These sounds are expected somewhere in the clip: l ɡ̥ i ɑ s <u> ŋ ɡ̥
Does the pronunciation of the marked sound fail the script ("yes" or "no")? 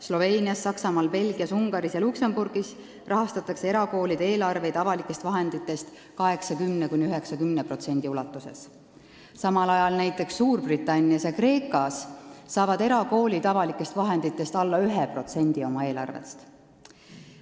no